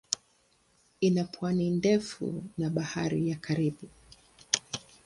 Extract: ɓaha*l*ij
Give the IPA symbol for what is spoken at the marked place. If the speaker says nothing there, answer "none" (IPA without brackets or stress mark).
ɾ